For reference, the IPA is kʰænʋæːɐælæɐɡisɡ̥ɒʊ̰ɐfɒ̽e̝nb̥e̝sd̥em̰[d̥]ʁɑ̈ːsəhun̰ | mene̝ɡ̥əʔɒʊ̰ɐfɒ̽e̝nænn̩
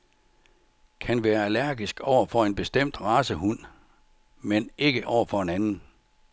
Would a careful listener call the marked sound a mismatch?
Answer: no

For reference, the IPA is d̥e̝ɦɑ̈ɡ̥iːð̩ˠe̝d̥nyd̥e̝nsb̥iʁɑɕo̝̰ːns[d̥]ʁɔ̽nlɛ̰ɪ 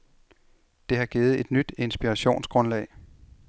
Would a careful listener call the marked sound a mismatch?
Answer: yes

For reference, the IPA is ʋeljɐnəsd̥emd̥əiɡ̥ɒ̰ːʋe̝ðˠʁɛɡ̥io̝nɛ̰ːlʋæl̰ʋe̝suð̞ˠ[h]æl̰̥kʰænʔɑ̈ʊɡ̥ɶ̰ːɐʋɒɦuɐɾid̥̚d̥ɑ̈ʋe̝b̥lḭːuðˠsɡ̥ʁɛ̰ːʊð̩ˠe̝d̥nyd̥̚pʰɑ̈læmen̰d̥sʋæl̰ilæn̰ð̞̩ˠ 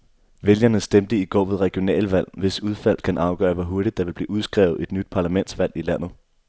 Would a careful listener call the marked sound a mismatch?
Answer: yes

